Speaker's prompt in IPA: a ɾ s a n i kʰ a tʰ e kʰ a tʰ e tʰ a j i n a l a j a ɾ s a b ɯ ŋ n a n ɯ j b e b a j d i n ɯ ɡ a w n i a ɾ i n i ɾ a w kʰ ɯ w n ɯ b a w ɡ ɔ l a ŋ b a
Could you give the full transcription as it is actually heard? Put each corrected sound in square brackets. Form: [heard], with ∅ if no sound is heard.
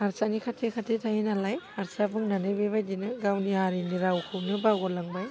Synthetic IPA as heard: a ɾ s a n i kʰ a tʰ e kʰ a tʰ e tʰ a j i n a l a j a ɾ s a b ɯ ŋ n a n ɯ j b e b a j d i n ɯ ɡ a w n i a ɾ i n i ɾ a w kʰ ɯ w n ɯ b a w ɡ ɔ l a ŋ b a